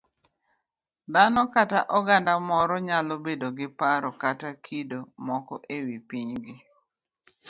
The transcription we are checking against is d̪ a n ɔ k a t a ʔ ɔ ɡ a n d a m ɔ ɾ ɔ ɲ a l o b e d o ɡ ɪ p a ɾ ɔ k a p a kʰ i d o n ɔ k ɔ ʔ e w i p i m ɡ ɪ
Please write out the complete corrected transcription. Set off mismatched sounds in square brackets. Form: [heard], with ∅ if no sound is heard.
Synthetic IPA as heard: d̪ a n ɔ k a t a ʔ ɔ ɡ a n d a m ɔ ɾ ɔ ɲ a l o b e d o ɡ ɪ p a ɾ ɔ k a [t] a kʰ i d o [m] ɔ k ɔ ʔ e w i p i [ɲ] ɡ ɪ

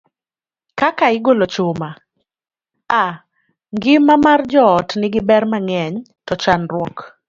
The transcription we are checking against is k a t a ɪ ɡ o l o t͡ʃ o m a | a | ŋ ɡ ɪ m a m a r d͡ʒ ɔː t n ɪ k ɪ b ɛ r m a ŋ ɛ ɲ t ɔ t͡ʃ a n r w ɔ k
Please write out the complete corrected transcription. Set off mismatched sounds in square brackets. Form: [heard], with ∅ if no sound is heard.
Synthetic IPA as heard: k a [k] a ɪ ɡ o l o t͡ʃ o m a | a | ŋ ɡ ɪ m a m a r d͡ʒ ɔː t n ɪ [ɡ] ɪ b ɛ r m a ŋ ɛ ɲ t ɔ t͡ʃ a n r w ɔ k

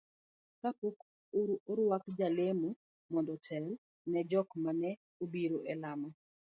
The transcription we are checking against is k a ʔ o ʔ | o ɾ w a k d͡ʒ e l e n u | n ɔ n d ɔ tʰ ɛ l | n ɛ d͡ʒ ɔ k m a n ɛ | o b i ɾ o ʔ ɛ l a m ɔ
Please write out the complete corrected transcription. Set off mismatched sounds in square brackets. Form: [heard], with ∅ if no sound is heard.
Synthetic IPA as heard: k a [p] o [k] | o ɾ w a k d͡ʒ [a] l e [m] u | [m] ɔ n d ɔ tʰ ɛ l | n ɛ d͡ʒ ɔ k m a n ɛ | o b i ɾ o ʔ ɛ l a m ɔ

